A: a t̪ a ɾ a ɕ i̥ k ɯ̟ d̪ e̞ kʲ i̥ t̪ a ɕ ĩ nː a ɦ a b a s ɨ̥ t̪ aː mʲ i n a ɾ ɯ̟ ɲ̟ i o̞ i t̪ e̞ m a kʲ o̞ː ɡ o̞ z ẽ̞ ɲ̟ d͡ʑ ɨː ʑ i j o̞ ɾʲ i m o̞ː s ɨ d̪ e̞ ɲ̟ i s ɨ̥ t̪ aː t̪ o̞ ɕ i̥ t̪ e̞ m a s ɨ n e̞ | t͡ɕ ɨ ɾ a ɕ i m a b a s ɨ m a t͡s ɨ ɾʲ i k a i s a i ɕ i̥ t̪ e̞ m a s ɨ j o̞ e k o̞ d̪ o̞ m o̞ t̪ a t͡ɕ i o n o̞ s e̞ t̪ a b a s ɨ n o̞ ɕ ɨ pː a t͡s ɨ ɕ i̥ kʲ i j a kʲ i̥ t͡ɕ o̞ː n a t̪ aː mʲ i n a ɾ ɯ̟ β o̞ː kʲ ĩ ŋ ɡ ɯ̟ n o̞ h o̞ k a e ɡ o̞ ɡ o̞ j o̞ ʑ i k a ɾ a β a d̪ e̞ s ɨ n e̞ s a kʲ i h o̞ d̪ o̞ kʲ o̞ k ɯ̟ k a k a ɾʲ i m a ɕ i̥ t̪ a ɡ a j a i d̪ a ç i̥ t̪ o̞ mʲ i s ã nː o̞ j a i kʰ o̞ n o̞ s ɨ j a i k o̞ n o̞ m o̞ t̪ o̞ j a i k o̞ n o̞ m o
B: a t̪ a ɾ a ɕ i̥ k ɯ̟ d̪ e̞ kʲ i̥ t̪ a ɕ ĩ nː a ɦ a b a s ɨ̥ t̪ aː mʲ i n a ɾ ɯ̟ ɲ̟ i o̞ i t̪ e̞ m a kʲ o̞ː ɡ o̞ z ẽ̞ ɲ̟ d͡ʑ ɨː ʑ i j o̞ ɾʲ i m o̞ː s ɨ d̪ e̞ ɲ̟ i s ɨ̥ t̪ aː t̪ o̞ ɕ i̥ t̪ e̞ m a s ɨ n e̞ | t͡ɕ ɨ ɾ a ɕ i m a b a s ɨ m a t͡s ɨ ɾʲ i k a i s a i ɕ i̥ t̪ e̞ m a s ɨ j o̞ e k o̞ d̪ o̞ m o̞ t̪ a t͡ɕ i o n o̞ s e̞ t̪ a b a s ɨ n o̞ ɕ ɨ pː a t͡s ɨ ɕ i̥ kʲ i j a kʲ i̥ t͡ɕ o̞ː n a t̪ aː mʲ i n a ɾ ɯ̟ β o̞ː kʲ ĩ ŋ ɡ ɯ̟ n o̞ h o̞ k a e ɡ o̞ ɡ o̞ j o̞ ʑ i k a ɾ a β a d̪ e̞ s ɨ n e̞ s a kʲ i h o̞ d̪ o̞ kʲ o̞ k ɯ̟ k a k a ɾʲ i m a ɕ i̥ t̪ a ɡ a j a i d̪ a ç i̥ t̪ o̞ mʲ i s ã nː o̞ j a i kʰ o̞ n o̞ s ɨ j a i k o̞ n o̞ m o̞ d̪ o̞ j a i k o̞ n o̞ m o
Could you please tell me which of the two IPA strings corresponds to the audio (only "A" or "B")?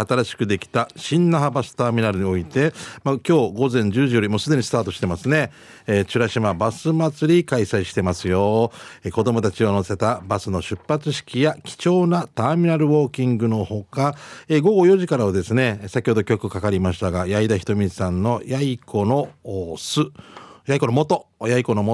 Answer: A